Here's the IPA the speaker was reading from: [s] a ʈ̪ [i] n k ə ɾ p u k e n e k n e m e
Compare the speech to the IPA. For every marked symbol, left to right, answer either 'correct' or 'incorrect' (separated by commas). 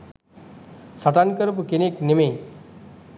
correct, incorrect